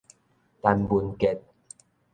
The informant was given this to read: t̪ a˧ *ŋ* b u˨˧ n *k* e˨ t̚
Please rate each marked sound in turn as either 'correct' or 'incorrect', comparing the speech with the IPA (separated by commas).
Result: incorrect, correct